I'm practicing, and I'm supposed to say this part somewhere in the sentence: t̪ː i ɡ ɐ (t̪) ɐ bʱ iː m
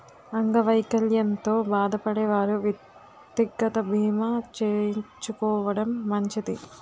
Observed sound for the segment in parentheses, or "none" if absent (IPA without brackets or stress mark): t̪